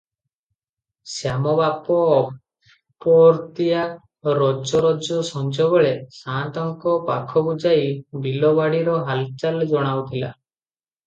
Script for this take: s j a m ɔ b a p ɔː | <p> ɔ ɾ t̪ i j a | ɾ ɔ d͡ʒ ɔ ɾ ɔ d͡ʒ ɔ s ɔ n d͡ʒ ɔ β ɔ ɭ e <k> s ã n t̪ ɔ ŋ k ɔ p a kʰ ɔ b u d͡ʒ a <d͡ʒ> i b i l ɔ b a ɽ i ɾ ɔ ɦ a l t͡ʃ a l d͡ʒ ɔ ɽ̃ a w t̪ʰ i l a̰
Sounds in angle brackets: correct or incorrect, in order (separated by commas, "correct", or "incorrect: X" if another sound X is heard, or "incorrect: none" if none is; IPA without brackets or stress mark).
correct, incorrect: none, incorrect: none